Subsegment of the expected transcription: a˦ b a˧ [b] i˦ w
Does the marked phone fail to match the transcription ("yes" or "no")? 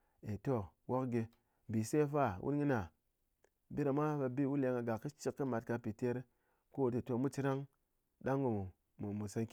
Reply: no